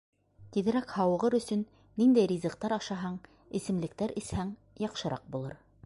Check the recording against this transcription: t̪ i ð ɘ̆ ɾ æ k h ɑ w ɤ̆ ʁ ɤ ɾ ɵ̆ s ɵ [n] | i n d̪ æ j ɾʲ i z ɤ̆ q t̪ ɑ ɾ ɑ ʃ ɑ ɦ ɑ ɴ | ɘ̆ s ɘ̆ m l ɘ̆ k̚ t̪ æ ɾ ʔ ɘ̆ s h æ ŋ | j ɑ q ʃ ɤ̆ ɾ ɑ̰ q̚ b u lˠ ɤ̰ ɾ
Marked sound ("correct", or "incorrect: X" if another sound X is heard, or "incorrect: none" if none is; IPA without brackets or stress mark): incorrect: nː